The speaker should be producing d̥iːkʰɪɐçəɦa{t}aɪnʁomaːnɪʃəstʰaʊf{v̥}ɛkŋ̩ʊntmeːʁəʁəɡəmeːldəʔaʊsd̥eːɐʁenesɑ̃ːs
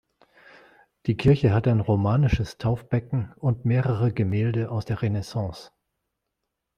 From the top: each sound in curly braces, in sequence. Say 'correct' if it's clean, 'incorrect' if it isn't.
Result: correct, incorrect

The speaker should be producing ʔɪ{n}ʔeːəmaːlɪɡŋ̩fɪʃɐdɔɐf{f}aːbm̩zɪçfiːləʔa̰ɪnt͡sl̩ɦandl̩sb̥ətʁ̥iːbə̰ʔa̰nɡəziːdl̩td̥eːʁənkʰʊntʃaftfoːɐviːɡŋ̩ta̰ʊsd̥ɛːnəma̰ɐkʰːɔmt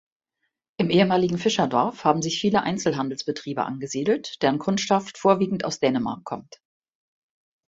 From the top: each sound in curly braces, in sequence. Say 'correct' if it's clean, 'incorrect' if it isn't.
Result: incorrect, incorrect

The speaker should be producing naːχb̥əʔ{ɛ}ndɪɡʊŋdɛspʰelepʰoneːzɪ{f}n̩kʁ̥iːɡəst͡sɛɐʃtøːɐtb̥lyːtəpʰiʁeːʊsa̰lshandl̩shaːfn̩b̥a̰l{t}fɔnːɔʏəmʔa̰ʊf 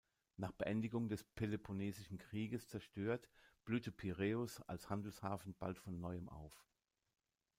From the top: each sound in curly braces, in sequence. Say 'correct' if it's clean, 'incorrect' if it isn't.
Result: correct, incorrect, correct

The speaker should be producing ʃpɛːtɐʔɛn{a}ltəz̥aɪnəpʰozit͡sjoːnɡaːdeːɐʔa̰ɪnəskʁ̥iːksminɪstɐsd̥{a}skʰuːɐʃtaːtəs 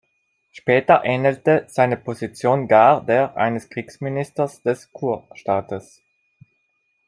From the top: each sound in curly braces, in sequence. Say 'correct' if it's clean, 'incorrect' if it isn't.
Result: incorrect, incorrect

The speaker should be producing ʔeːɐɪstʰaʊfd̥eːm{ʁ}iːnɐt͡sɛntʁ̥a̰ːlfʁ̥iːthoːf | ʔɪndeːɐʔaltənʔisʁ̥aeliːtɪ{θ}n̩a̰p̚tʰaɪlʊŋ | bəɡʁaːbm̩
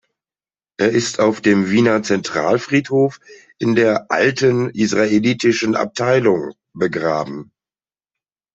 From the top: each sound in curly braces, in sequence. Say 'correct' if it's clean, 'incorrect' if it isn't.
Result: incorrect, incorrect

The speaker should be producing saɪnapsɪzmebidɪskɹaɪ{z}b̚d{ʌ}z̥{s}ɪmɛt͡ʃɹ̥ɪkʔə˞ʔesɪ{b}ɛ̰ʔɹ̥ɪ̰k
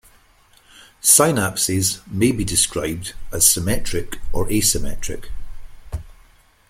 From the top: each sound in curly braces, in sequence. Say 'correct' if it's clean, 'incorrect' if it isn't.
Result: incorrect, incorrect, correct, incorrect

